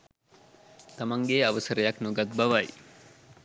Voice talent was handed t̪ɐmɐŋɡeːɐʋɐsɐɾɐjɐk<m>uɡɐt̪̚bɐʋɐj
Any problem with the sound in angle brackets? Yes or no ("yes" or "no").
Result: yes